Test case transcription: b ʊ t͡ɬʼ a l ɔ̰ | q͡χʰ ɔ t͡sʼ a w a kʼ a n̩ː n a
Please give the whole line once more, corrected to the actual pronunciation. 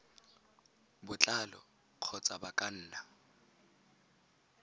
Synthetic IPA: b ʊ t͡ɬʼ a l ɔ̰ | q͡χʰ ɔ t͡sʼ a b a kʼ a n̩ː n a